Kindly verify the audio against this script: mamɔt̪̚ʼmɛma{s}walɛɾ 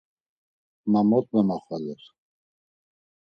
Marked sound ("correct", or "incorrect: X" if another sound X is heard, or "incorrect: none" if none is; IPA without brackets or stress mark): incorrect: χ